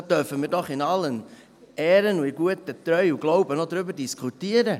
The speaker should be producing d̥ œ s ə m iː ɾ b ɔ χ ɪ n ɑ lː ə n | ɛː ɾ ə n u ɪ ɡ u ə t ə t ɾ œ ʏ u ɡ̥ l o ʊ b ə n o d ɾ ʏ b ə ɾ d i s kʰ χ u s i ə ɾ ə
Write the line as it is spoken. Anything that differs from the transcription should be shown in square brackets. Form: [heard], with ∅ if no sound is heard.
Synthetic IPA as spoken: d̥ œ [f] ə m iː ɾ [d] ɔ χ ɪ n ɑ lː ə n | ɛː ɾ ə n u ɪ ɡ u ə t ə t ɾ œ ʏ u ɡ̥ l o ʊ b ə n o d ɾ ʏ b ə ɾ d i s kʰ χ u [t] i ə ɾ ə